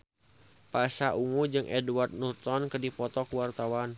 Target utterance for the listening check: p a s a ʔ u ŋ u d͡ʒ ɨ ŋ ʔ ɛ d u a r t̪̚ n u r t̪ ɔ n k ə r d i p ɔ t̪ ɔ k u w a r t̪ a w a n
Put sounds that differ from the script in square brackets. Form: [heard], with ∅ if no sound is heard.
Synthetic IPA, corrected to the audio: p a s a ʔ u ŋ u d͡ʒ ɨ ŋ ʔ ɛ d u a r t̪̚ n u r t̪ ɔ n k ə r d i p ɔ t̪ ɔ k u w a r t̪ a w a n